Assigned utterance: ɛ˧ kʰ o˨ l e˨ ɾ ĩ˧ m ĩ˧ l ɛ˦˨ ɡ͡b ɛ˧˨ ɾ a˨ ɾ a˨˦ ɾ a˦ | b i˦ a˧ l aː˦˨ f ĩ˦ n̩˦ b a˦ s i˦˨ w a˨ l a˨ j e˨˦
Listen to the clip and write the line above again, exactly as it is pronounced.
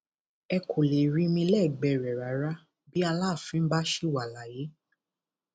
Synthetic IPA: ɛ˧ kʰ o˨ l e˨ ɾ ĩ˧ m ĩ˧ l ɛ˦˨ ɡ͡b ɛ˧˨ ɾ ɛ˨ ɾ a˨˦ ɾ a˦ | b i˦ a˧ l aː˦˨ f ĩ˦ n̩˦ b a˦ ʃ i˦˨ w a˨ l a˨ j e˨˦

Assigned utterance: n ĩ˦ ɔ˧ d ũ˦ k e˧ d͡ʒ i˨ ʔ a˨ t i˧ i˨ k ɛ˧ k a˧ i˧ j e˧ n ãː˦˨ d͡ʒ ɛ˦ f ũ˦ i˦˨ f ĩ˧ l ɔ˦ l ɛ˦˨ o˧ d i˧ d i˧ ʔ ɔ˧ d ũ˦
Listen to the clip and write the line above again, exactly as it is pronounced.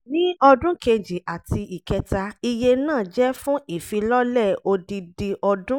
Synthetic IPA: n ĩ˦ ɔ˧ d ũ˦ k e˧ d͡ʒ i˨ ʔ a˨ t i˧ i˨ k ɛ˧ t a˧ i˧ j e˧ n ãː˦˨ d͡ʒ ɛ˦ f ũ˦ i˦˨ f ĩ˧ l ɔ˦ l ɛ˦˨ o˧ d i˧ d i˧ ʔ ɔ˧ d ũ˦

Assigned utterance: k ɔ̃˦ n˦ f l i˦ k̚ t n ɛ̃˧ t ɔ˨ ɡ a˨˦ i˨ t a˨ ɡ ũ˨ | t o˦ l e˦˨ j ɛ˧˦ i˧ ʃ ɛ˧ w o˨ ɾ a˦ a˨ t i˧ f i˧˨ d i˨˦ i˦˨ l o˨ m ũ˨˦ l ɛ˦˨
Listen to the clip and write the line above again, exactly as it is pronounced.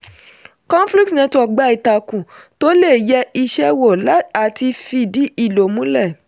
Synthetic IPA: k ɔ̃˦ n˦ f l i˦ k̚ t n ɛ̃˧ t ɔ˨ ɡ͡b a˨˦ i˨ t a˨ k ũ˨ | t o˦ l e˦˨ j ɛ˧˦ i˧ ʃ ɛ˧ w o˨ l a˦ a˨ t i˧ f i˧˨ d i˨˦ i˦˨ l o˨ m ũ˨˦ l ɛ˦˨

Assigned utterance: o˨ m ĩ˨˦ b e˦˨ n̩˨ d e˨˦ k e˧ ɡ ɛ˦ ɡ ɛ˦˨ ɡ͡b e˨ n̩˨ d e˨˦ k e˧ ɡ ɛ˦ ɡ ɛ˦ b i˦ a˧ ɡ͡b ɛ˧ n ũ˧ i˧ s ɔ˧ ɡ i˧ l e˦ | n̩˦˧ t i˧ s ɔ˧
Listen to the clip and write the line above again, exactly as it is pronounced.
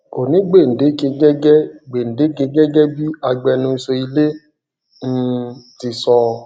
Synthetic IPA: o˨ n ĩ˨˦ ɡ͡b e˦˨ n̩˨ d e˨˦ k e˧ ɡ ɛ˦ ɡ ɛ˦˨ ɡ͡b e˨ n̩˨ d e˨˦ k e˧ ɡ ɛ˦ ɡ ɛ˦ b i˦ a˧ ɡ͡b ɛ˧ n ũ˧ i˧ s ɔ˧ i˧ l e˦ | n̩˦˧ t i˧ s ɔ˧

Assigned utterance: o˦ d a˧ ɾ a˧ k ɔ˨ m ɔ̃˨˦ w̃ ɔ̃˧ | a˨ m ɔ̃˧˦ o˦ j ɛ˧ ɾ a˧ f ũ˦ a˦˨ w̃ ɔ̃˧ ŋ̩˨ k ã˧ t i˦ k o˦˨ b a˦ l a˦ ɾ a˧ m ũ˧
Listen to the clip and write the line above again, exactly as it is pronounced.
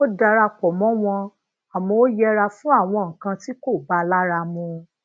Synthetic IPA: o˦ d a˧ ɾ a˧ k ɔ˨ m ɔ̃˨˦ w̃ ɔ̃˧ | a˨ m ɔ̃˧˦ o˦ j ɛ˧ ɾ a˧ f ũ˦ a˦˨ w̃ ɔ̃˧ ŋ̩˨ k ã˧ t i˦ k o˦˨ b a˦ l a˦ ɾ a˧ m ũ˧

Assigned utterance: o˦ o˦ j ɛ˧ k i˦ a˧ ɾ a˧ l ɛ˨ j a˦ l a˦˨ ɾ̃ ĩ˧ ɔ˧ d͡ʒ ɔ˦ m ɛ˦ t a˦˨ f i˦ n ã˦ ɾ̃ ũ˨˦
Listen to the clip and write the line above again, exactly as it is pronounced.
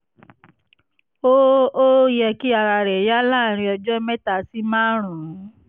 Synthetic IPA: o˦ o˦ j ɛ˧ k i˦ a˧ ɾ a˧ ɾ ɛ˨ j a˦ l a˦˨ ɾ̃ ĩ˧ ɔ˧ d͡ʒ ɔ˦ m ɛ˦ t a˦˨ s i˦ m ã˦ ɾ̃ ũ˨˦

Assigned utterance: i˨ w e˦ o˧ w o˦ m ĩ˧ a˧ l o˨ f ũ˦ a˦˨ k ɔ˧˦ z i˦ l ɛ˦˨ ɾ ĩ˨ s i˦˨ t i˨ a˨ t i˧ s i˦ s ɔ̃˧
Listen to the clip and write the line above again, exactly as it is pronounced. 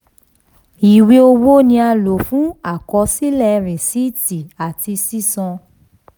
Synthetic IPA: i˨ w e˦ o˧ w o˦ n ĩ˧ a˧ l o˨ f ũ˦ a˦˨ k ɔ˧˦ s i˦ l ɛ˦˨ ɾ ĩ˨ s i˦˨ t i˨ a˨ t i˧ s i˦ s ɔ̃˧

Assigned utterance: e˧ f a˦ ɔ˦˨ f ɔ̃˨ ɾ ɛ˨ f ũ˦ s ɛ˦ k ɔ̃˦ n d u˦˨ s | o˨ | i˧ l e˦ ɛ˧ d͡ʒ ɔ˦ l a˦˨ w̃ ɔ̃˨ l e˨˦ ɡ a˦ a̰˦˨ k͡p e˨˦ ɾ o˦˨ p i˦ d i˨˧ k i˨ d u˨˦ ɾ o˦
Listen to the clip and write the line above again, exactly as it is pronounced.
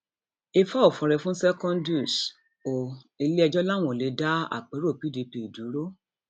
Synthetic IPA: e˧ f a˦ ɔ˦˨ f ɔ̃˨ ɾ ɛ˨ f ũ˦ s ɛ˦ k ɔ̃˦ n d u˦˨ s | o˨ | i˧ l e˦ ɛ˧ d͡ʒ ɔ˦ l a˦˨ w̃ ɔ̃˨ l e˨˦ d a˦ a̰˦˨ k͡p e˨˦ ɾ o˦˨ p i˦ d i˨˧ p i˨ d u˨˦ ɾ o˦

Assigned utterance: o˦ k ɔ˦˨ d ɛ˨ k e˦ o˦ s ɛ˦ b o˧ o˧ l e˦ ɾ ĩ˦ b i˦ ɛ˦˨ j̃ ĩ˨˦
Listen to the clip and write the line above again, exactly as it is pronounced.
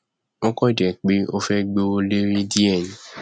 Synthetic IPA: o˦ k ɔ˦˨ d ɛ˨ k͡p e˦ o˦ f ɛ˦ ɡ͡b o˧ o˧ l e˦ ɾ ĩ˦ d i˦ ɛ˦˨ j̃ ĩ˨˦

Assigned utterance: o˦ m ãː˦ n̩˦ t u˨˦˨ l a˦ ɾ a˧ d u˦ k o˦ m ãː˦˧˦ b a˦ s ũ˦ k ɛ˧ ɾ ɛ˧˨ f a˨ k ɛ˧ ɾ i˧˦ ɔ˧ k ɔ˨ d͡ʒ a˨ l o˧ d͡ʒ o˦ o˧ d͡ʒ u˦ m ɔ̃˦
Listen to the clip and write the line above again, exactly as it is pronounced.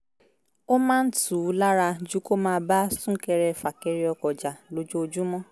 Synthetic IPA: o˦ m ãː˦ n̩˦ t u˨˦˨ l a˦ ɾ a˧ d͡ʒ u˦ k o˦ m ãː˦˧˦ b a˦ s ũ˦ k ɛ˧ ɾ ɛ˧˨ f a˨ k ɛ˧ ɾ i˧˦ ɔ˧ k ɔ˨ d͡ʒ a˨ l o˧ d͡ʒ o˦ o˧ d͡ʒ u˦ m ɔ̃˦

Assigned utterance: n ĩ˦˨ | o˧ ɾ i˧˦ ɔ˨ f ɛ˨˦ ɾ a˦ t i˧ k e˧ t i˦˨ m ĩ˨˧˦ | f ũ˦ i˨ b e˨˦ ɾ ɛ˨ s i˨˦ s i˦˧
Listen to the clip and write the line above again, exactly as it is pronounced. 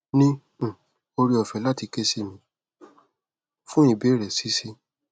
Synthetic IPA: n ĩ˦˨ | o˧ ɾ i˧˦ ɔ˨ f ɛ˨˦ l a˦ t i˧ k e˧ s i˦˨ m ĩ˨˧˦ | f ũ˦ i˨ b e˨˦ ɾ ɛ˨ s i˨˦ s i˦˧

